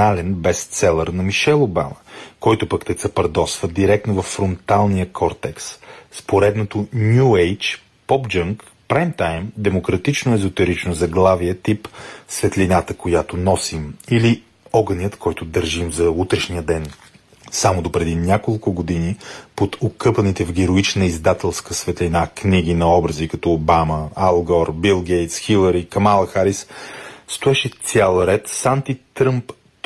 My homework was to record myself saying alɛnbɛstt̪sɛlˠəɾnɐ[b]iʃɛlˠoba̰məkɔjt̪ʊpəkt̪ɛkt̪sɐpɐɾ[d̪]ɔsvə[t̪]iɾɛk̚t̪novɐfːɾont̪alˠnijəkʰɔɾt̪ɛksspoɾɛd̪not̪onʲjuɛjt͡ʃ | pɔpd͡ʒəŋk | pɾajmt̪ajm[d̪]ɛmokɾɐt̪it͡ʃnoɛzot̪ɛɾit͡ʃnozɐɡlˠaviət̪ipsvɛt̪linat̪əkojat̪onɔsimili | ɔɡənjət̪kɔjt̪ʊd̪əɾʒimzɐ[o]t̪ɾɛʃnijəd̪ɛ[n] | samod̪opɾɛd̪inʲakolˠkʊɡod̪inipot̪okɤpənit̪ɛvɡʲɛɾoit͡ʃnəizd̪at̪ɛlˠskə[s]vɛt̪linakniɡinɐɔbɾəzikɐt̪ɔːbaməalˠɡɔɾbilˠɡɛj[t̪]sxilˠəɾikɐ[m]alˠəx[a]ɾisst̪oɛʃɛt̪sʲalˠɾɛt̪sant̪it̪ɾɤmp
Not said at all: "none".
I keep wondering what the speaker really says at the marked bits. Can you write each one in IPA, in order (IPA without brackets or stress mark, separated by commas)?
m, d̪, d̪, d̪, u, n, s, t̪, m, a